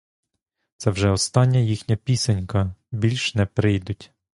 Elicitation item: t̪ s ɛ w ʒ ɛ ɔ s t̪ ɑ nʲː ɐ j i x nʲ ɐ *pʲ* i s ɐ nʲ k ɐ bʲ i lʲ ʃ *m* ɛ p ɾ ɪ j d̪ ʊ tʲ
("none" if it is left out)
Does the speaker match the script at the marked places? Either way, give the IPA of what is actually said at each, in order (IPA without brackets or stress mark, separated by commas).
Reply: pʲ, n